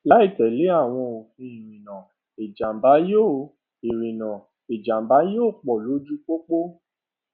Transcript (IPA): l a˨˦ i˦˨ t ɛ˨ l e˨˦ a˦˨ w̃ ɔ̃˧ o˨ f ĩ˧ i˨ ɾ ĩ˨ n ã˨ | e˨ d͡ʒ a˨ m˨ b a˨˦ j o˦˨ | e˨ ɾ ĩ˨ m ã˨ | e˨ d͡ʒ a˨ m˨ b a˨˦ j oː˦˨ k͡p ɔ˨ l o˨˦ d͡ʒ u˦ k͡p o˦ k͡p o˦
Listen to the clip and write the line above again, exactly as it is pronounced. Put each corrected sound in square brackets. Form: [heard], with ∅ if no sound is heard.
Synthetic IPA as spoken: l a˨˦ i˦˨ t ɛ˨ l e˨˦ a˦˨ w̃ ɔ̃˧ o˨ f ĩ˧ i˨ ɾ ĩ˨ n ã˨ | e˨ d͡ʒ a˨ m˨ b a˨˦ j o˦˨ | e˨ ɾ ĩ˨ [n] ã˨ | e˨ d͡ʒ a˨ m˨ b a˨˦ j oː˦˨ k͡p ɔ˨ l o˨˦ d͡ʒ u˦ k͡p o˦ k͡p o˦

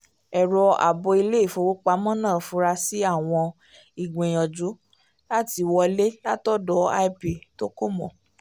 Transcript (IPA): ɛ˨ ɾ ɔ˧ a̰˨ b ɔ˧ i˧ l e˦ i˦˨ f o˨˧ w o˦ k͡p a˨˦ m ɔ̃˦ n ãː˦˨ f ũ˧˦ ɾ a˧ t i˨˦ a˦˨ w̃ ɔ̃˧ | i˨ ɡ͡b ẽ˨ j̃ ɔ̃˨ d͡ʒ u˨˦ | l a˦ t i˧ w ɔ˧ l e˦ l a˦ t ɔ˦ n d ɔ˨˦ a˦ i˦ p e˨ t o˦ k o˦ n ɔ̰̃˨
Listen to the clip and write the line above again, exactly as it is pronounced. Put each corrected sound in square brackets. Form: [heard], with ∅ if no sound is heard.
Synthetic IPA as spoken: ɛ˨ ɾ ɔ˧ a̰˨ b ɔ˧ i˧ l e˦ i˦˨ f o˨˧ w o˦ k͡p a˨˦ m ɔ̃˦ n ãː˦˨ f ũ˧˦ ɾ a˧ [s] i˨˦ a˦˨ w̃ ɔ̃˧ | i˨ ɡ͡b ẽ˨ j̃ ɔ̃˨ d͡ʒ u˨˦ | l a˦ t i˧ w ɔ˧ l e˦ l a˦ t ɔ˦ [∅] d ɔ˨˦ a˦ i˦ p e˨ t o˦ k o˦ [m] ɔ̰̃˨

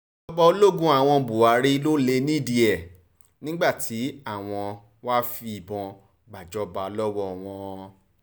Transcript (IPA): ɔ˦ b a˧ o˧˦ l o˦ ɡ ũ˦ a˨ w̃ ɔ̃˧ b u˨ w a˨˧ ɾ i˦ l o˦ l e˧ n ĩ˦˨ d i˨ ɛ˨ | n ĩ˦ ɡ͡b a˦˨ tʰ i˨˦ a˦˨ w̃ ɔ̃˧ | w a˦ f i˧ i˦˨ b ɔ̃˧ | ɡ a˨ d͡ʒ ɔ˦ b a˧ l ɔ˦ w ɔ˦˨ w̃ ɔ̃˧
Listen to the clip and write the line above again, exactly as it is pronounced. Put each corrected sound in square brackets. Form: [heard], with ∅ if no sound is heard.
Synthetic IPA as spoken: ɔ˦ b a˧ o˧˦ l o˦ ɡ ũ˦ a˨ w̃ ɔ̃˧ b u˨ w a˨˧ ɾ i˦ l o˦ l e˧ n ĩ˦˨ d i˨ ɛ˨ | n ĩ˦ ɡ͡b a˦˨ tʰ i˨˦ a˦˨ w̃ ɔ̃˧ | w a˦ f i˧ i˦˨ b ɔ̃˧ | [ɡ͡b] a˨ d͡ʒ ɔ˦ b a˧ l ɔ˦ w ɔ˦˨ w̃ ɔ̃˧

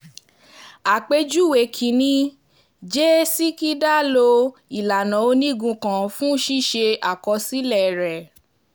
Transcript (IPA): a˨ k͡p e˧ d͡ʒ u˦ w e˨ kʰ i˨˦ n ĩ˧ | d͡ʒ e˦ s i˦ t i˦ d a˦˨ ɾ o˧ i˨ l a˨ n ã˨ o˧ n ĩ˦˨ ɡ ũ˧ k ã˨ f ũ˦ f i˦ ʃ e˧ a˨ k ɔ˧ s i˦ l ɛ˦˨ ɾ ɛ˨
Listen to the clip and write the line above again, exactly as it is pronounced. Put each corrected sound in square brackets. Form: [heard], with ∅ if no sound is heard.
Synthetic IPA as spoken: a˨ k͡p e˧ d͡ʒ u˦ w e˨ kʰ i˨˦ n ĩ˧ | d͡ʒ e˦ s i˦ [k] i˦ d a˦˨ [l] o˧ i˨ l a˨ n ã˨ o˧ n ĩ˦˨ ɡ ũ˧ k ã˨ f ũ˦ [ʃ] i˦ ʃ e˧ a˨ k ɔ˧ s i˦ l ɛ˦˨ ɾ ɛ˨

